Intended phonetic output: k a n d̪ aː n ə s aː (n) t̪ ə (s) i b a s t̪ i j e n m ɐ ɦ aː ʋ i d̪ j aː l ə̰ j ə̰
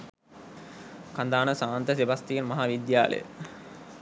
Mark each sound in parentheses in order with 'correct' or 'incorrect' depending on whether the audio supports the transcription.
correct, correct

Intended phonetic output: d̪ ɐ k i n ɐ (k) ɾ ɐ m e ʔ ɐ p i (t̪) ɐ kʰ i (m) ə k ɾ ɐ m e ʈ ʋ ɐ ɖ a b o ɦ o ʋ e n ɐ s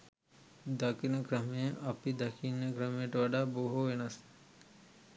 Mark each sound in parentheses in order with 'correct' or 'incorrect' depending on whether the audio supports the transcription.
correct, incorrect: d̪, incorrect: n

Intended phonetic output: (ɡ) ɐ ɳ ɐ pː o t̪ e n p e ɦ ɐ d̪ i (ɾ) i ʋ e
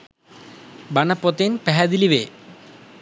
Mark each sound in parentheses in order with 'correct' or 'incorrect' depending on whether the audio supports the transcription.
incorrect: b, incorrect: l

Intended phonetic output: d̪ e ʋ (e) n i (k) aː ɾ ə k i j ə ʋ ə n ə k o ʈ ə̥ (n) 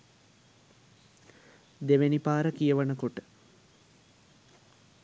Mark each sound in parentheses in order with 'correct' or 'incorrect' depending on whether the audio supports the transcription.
correct, incorrect: p, incorrect: none

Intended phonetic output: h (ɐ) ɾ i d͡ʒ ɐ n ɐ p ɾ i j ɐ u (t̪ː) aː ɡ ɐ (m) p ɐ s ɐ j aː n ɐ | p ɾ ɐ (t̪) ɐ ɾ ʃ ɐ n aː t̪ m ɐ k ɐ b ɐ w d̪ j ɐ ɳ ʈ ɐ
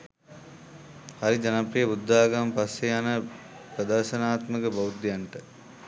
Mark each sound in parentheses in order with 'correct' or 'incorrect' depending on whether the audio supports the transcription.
correct, incorrect: d̪ː, correct, incorrect: d̪

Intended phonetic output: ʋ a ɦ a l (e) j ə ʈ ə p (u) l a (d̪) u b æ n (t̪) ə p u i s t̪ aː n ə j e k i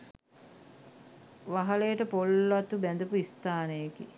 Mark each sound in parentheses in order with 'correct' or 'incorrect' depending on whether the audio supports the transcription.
correct, incorrect: o, incorrect: t̪, incorrect: d̪

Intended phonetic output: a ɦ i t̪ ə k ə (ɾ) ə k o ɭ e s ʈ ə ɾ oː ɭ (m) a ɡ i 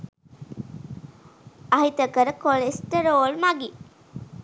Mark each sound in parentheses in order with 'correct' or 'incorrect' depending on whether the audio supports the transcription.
correct, correct

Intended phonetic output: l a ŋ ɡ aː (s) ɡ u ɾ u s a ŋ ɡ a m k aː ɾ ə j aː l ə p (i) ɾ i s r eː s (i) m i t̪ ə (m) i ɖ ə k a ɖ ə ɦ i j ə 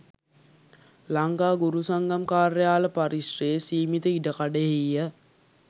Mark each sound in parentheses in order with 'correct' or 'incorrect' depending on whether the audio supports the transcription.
incorrect: none, incorrect: a, incorrect: iː, incorrect: none

